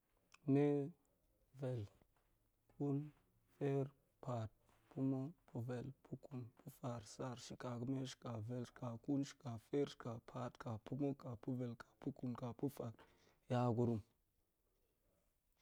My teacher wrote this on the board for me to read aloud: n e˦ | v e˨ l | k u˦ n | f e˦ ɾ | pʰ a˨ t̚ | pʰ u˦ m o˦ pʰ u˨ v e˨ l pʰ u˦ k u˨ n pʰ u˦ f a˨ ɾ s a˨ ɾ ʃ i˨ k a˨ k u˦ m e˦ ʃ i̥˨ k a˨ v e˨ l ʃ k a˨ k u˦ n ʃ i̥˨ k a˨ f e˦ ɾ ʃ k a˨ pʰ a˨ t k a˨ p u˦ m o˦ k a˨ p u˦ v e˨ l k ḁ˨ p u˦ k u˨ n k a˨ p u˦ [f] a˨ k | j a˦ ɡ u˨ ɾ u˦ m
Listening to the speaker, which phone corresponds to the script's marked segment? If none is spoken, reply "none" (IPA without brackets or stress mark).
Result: f